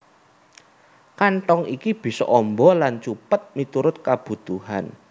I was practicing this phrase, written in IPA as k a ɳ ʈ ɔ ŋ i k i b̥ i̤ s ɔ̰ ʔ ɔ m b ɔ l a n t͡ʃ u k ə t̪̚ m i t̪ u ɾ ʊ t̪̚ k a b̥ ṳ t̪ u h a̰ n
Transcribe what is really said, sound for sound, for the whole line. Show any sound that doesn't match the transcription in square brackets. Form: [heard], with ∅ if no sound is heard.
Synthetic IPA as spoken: k a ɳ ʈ ɔ ŋ i k i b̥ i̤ s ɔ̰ ʔ ɔ m b ɔ l a n t͡ʃ u [p] ə t̪̚ m i t̪ u ɾ ʊ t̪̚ k a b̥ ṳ t̪ u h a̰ n